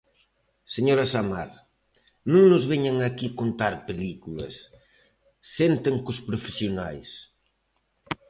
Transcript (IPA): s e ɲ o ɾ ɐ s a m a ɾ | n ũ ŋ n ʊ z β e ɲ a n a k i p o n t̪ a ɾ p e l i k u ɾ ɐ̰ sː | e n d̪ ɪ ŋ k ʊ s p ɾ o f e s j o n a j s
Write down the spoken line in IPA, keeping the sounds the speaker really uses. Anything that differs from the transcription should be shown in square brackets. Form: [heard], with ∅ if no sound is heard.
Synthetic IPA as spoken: s e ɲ o ɾ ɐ s a m a ɾ | n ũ ŋ n ʊ z β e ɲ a [ŋ] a k i [k] o n t̪ a ɾ p e l i k u [l] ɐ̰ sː | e n [t̪] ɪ ŋ k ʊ s p ɾ o f e s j o n a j s